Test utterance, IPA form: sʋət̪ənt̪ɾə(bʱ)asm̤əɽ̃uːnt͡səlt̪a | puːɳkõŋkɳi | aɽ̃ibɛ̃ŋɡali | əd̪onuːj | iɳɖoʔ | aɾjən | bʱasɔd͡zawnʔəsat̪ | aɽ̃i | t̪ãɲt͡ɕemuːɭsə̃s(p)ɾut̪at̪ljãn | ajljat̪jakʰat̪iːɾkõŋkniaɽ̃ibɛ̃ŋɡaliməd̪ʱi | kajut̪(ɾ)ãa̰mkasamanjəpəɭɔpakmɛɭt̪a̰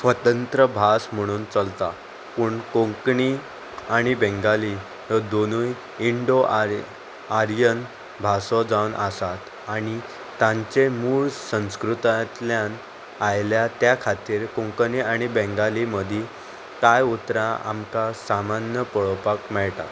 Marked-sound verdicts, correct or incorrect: correct, incorrect, correct

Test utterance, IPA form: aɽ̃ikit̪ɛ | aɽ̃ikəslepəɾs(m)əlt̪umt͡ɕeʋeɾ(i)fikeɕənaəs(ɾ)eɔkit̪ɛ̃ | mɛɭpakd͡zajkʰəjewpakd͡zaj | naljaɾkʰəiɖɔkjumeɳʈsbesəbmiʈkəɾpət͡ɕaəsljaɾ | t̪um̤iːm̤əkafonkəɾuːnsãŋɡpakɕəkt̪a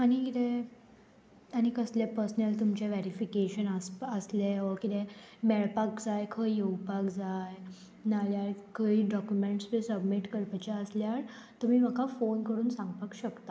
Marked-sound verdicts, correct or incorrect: incorrect, correct, incorrect

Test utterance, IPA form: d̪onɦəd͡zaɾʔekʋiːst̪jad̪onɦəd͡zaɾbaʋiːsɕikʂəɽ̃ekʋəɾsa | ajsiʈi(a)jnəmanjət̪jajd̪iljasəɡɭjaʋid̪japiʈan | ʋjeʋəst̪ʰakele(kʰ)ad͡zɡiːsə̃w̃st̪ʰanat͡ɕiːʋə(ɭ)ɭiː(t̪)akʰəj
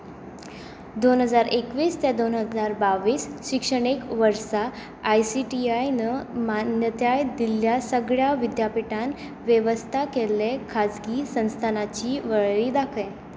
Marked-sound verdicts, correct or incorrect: correct, correct, correct, incorrect

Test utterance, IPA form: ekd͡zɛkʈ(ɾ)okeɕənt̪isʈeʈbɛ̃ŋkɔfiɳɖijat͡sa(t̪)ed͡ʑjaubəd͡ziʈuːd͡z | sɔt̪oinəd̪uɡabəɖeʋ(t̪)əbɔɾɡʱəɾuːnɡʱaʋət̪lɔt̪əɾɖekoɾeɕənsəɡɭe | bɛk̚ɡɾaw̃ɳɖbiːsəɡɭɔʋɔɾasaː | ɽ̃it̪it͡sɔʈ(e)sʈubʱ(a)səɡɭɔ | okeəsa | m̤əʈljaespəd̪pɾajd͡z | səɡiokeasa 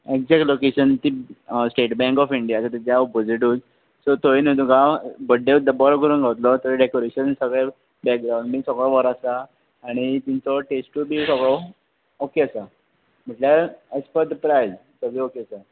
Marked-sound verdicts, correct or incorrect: incorrect, correct, incorrect, correct, incorrect

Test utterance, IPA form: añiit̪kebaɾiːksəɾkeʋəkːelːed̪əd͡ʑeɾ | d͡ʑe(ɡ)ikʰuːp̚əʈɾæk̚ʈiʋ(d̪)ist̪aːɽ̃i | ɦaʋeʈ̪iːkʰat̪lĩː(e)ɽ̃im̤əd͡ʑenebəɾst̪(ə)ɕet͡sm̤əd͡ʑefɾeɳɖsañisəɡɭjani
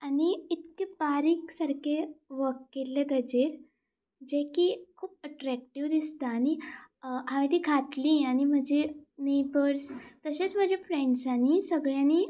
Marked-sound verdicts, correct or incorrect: incorrect, correct, incorrect, correct

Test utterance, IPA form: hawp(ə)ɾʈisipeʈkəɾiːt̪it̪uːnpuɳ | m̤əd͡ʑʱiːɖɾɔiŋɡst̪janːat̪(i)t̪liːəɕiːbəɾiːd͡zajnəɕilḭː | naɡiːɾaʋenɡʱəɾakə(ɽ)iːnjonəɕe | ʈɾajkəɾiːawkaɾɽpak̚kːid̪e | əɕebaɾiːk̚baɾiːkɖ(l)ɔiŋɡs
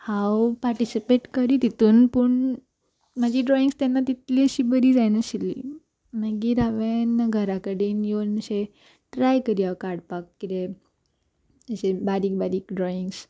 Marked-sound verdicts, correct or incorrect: incorrect, correct, correct, incorrect

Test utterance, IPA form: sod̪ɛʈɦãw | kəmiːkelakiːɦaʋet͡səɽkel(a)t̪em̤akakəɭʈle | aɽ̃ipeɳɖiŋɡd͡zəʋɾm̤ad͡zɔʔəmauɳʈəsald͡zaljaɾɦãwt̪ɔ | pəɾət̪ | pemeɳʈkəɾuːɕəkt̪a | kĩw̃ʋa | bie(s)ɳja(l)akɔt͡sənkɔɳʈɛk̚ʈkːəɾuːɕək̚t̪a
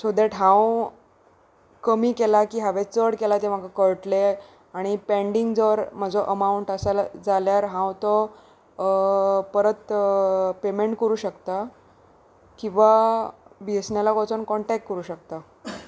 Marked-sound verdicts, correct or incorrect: correct, correct, correct

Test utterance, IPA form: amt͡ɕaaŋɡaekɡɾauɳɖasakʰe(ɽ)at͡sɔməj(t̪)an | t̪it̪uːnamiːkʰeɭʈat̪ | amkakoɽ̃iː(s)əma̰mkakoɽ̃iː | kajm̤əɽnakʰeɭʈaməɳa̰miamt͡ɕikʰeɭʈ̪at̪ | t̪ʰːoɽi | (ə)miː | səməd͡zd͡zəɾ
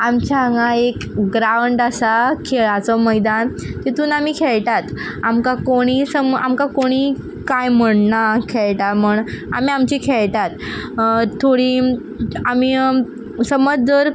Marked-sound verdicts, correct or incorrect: incorrect, incorrect, correct, incorrect

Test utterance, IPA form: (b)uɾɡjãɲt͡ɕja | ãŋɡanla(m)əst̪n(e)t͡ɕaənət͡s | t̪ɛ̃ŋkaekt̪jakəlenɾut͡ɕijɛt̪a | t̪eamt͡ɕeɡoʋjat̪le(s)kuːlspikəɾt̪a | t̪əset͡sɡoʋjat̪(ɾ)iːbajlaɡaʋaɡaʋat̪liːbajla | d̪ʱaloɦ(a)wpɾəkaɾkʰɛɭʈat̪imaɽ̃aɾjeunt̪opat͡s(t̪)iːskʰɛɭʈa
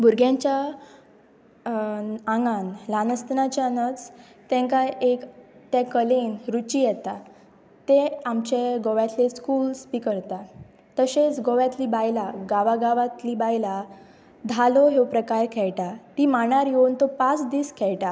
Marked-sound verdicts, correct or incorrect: correct, incorrect, incorrect, correct, incorrect, incorrect, incorrect

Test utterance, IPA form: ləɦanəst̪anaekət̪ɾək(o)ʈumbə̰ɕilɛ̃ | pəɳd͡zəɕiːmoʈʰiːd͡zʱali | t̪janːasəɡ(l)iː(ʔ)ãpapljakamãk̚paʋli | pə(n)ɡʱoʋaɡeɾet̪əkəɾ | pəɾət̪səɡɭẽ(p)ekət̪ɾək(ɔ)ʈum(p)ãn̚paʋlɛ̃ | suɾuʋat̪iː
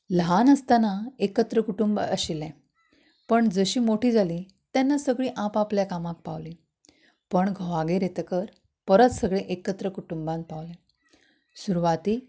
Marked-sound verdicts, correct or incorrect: incorrect, incorrect, correct, incorrect, incorrect, incorrect, incorrect

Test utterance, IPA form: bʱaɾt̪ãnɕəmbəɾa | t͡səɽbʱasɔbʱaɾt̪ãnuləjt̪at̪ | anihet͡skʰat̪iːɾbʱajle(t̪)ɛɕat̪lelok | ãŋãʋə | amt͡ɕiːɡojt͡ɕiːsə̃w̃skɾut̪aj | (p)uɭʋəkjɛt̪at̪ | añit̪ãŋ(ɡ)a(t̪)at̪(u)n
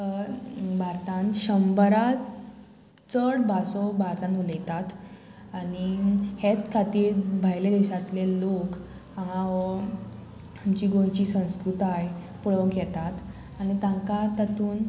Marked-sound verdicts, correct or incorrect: incorrect, correct, incorrect, correct, incorrect

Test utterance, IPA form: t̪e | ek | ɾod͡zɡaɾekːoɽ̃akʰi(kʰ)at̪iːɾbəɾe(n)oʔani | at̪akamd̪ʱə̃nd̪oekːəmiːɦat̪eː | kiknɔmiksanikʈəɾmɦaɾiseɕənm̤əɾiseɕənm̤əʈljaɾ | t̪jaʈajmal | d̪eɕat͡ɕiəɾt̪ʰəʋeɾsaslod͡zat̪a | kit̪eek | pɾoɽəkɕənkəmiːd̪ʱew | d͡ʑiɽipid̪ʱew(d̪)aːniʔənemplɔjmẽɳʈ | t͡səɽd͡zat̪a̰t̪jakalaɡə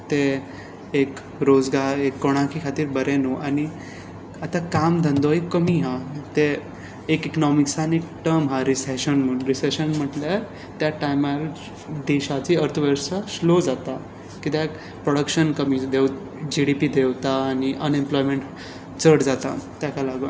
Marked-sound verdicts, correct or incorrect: correct, correct, incorrect

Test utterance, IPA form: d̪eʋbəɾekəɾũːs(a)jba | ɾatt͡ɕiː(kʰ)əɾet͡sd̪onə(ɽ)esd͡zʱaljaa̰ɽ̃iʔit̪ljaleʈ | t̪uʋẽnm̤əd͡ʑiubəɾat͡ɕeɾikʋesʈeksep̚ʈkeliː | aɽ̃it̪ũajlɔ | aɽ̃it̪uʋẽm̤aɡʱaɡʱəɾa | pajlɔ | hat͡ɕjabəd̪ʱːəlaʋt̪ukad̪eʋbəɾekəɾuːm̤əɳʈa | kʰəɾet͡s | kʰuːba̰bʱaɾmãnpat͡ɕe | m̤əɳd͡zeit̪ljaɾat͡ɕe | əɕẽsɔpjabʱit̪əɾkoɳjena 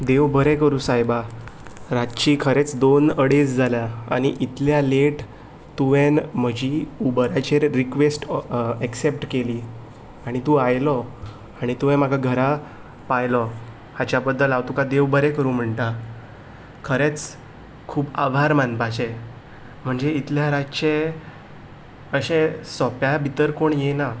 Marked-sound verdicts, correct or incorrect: correct, correct, correct

